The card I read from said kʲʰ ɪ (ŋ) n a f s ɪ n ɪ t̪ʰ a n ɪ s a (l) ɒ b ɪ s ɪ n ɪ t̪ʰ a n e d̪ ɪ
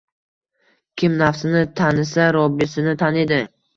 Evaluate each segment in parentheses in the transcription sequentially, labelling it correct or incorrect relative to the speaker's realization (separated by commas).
incorrect, incorrect